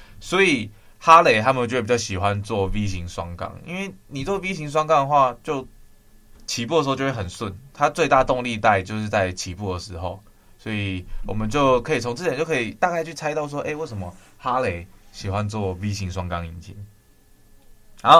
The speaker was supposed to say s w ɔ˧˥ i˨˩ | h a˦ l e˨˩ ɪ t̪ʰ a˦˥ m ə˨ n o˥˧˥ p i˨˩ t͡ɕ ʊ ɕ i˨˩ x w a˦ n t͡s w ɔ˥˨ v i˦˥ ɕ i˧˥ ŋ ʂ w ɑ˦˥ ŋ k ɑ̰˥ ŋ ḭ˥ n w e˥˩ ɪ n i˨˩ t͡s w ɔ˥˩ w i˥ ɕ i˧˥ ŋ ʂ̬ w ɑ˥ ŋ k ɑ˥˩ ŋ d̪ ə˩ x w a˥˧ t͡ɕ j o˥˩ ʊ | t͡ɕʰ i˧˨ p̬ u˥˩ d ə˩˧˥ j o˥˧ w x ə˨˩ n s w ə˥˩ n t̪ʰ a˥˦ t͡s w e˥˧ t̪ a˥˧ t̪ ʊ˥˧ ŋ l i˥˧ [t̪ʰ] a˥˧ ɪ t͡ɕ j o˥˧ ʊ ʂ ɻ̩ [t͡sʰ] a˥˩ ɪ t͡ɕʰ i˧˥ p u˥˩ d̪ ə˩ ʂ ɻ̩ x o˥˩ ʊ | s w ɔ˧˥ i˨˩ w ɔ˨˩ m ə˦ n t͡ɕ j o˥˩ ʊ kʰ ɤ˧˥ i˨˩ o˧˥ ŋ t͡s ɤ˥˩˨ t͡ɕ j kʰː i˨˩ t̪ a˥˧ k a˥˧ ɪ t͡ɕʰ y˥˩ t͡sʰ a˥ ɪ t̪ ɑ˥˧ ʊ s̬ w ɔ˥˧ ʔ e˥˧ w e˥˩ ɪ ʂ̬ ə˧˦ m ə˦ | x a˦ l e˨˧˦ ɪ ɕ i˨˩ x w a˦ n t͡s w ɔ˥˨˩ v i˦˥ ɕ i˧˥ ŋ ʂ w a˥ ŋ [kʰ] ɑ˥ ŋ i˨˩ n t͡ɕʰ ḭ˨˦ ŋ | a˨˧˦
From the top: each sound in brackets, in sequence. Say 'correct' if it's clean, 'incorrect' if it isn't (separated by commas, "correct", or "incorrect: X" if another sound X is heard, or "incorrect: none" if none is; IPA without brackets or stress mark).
incorrect: t̪, incorrect: t͡s, incorrect: k